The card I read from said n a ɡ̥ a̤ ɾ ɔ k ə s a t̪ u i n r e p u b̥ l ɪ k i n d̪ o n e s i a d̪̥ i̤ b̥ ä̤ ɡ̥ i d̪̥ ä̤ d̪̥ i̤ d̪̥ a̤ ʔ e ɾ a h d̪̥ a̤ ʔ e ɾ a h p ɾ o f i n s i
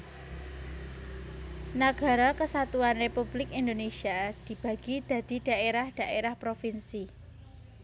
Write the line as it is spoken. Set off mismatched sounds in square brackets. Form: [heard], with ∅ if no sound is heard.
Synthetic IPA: n a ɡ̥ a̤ ɾ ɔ k ə s a t̪ u [a] n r e p u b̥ l ɪ k i n d̪ o n e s i a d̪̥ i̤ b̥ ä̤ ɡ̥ i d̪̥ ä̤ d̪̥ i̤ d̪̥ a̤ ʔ e ɾ a h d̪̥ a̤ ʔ e ɾ a h p ɾ o f i n s i